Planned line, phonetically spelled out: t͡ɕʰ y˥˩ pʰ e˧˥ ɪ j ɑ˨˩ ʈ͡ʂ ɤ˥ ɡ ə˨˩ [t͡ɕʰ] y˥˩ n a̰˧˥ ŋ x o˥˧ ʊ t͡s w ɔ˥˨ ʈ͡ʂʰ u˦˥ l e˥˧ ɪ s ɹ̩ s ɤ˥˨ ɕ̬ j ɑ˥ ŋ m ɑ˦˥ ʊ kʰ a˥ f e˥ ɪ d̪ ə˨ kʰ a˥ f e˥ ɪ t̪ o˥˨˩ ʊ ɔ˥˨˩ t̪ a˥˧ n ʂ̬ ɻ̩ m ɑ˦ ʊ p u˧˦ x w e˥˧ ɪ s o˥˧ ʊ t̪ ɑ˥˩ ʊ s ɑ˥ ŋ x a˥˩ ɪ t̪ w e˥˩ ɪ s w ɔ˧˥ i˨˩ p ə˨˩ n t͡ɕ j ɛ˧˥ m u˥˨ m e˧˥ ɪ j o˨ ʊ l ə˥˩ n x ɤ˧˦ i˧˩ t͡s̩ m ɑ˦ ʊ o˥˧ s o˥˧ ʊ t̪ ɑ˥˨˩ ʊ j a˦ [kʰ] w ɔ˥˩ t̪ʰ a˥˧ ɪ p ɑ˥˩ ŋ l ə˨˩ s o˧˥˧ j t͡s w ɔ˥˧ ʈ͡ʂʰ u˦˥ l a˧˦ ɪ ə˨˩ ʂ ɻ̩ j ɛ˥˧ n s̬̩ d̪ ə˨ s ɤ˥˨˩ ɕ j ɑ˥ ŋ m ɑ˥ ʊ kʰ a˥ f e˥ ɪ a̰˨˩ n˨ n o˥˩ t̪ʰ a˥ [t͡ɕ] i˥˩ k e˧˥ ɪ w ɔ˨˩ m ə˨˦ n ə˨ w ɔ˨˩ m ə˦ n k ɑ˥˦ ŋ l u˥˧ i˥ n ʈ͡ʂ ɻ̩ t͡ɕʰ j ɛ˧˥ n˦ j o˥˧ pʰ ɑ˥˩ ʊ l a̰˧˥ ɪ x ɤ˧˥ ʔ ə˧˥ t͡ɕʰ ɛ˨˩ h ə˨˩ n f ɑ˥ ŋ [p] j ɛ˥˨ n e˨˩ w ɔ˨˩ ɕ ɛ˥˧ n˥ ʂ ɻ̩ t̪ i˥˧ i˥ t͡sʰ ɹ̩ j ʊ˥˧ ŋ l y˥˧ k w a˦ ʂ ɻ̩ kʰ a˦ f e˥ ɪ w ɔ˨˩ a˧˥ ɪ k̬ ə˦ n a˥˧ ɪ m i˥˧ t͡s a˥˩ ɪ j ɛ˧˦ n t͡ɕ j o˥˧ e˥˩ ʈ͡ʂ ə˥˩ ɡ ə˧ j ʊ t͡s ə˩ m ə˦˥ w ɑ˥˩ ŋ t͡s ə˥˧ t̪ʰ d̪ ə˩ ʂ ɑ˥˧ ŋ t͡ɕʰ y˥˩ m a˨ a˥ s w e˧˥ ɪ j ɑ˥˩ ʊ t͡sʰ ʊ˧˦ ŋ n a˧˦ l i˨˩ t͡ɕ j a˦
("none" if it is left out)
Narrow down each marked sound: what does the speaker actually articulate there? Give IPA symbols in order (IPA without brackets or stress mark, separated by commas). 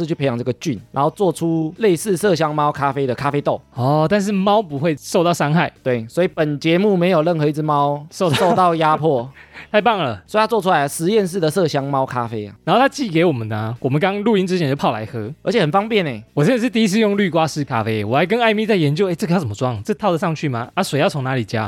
t͡ɕ, pʰ, t͡ɕ, p